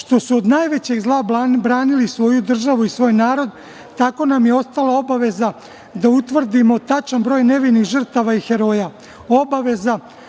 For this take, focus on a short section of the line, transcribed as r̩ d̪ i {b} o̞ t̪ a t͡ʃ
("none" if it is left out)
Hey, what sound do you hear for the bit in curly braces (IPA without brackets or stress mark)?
m